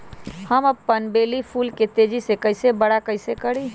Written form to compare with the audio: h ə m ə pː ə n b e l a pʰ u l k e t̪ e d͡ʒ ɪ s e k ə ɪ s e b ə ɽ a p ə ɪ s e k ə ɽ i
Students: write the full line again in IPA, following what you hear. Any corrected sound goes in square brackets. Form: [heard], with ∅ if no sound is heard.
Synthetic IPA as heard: h ə m ə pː ə n b e l [i] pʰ u l k e t̪ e d͡ʒ [i] s e k ə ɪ s e b ə ɽ a [k] ə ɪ s e k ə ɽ i